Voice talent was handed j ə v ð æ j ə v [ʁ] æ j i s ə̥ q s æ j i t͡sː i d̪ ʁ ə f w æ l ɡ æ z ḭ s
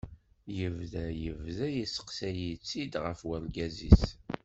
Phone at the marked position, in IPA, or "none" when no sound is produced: ð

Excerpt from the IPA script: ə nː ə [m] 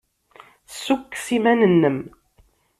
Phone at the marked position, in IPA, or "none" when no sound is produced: m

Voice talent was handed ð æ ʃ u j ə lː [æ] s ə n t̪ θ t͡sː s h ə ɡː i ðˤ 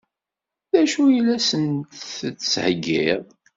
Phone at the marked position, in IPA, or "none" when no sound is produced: æ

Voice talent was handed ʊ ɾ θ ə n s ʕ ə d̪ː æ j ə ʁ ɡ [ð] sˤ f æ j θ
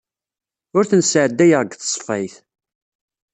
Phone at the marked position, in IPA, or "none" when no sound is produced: θ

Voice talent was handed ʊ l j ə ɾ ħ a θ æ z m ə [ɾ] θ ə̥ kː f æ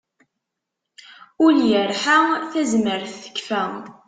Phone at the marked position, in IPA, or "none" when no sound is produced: ɾ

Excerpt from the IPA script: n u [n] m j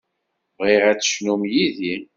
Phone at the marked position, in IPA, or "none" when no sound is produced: none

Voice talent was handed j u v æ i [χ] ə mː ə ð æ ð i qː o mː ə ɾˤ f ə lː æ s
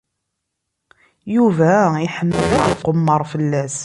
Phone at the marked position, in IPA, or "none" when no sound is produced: ħ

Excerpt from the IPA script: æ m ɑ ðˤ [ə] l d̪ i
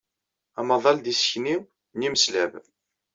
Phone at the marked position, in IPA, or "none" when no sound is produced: ɑ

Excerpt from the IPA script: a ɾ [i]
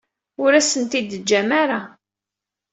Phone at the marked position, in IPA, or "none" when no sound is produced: a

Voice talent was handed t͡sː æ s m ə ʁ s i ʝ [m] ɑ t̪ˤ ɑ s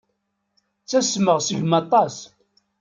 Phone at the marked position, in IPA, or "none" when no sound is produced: m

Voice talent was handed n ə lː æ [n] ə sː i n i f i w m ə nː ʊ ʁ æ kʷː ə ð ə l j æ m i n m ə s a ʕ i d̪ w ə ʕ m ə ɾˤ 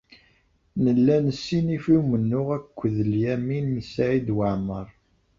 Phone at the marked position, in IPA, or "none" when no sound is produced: n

